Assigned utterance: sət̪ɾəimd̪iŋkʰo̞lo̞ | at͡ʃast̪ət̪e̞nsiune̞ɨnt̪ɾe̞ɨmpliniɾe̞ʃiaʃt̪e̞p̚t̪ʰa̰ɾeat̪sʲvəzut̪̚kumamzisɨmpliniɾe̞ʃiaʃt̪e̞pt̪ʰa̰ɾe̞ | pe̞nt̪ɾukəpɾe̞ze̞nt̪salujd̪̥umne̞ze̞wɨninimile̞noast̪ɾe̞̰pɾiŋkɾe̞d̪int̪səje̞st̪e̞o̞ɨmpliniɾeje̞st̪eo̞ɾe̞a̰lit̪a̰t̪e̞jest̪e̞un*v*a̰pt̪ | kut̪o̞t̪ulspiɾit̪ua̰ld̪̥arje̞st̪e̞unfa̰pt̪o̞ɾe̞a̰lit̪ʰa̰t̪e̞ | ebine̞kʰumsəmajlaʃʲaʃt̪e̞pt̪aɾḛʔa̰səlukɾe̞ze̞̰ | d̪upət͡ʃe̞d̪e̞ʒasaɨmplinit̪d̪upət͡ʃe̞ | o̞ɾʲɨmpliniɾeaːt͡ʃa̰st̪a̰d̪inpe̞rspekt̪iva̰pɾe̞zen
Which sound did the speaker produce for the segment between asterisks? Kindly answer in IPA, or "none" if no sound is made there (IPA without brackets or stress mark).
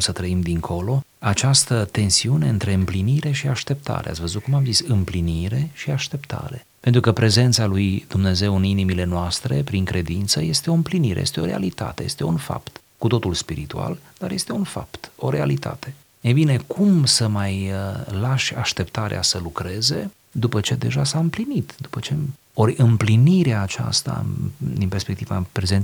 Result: f